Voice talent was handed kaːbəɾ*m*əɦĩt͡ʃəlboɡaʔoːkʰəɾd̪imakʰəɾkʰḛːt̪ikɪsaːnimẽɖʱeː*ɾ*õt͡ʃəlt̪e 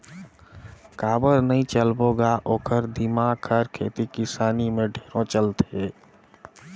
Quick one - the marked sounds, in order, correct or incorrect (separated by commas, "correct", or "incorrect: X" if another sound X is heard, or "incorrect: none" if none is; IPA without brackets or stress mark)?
incorrect: n, correct